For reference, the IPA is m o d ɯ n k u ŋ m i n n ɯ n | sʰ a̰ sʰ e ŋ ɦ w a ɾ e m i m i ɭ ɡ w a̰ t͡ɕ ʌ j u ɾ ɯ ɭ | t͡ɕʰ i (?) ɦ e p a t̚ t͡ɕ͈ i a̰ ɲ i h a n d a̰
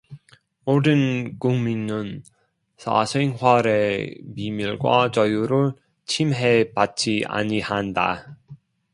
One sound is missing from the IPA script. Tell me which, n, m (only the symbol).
m